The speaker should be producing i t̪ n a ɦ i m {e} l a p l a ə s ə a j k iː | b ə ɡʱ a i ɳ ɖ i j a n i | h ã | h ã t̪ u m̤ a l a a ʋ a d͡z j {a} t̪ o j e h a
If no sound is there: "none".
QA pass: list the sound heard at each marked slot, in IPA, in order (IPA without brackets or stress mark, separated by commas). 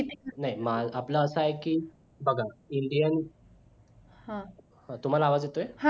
a, e